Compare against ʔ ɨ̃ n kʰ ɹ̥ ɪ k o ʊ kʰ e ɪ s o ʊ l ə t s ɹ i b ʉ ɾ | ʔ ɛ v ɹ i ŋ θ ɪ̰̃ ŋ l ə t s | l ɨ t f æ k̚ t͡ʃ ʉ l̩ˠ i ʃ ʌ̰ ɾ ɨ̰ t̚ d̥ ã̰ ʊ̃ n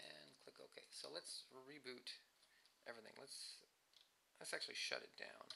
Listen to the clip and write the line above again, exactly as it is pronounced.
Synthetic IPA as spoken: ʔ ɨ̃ n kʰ l̥ ɪ k o ʊ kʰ e ɪ s o ʊ l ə t s ɹ i b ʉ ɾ | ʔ ɛ v ɹ i θ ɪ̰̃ ŋ l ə t s | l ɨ t s æ k̚ t͡ʃ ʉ l̩ˠ i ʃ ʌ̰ ɾ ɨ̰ t̚ d̥ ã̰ ʊ̃ n

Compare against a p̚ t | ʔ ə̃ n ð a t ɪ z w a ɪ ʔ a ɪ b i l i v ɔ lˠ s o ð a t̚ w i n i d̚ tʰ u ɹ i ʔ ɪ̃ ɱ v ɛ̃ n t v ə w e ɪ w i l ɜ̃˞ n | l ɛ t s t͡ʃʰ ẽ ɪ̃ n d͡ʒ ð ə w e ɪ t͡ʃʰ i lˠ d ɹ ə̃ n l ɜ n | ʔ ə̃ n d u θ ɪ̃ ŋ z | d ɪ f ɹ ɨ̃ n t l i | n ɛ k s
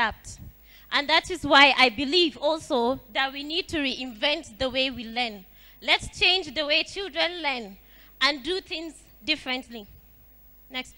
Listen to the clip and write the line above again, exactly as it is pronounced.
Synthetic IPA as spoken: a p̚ t | ʔ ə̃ n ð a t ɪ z w a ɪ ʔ a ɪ b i l i v ɔ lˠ s o ð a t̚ w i n i d̚ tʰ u ɹ i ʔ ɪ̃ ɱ v ɛ̃ n t ð ə w e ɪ w i l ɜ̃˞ n | l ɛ t s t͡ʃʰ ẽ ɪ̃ n d͡ʒ ð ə w e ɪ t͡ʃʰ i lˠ d ɹ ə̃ n l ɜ n | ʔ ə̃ n d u θ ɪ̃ ŋ z | d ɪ f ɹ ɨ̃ n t l i | n ɛ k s

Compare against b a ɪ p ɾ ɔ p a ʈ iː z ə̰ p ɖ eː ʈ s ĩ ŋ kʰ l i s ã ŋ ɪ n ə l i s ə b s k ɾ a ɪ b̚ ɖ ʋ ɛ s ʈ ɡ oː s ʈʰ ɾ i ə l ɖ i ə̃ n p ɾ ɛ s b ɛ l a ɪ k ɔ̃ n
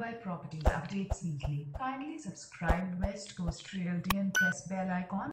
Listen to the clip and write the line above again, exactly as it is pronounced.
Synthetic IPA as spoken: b a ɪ p ɾ ɔ p ə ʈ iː z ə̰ p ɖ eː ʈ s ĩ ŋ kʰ l i f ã ɪ n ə l i s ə b s k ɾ a ɪ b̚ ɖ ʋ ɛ s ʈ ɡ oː s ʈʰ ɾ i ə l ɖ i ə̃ n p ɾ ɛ s b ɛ l a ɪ k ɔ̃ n

